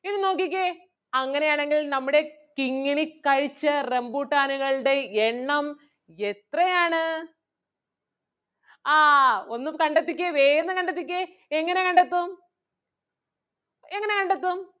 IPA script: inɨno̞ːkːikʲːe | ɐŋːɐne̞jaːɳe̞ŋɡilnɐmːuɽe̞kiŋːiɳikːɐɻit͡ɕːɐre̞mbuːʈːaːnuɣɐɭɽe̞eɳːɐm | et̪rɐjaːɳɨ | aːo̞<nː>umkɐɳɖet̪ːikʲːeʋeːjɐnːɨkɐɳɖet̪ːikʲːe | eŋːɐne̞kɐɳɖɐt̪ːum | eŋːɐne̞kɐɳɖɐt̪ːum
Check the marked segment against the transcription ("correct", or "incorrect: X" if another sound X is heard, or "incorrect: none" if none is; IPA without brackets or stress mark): correct